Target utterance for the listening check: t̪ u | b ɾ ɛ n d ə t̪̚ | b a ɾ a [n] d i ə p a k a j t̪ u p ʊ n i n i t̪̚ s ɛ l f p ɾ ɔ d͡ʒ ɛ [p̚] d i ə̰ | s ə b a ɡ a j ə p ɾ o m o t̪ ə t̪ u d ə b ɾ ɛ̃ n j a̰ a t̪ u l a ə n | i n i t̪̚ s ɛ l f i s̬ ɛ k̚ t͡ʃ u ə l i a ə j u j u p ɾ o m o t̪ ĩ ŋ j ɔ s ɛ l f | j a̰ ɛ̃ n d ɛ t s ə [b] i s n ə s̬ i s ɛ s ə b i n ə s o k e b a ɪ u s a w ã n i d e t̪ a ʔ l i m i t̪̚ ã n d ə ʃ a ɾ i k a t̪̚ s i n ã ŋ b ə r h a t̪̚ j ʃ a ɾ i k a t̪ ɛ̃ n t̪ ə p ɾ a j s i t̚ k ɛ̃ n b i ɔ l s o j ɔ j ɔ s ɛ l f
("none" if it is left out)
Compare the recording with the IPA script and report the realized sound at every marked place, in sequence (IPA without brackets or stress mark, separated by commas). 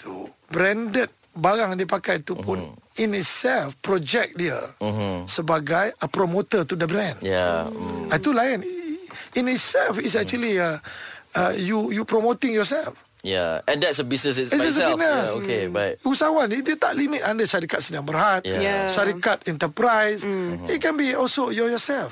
ŋ, k̚, b